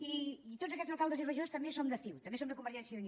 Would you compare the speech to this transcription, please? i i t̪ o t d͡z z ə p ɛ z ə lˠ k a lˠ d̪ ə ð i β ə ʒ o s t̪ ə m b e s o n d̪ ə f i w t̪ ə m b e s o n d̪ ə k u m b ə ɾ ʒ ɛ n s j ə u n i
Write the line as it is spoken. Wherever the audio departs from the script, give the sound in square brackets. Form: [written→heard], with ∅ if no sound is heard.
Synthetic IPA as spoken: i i t̪ o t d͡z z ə [p→k] ɛ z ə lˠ k a lˠ d̪ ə [ð→z] i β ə ʒ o s t̪ ə m b e s o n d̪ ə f i w t̪ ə m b e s o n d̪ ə k u m b ə ɾ ʒ ɛ n s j ə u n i